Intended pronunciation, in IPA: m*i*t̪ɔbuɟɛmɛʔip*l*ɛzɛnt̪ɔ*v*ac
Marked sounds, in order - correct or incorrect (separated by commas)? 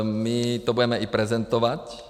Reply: correct, incorrect, incorrect